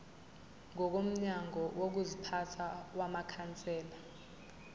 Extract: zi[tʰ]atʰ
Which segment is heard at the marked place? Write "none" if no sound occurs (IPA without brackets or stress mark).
pʰ